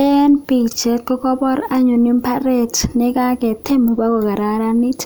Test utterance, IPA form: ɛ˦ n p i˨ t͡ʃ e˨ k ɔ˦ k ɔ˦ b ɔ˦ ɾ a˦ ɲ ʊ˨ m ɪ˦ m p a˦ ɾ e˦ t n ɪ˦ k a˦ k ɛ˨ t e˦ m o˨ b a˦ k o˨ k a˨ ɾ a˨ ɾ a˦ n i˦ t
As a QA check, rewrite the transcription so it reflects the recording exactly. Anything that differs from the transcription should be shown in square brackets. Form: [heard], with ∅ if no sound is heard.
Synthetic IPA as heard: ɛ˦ n p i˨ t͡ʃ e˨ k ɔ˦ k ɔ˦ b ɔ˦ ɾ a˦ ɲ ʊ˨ [n] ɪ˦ m p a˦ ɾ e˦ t n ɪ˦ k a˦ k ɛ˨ t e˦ m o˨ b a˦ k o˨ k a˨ ɾ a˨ ɾ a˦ n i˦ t